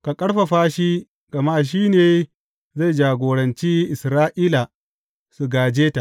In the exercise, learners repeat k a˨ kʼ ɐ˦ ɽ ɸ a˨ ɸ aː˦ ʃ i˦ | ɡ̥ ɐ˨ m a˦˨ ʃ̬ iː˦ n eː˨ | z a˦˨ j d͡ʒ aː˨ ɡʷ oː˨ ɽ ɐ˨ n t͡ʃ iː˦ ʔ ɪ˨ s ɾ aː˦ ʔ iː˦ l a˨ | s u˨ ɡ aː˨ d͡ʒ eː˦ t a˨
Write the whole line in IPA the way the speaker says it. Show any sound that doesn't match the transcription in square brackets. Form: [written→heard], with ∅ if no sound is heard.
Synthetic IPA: k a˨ kʼ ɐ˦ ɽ ɸ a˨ ɸ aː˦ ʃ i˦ | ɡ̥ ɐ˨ m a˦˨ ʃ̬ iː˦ n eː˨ | z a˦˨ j d͡ʒ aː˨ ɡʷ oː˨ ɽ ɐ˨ n t͡ʃ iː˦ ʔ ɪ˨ s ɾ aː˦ ʔ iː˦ l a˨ | s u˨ ɡ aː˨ d͡ʒ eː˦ t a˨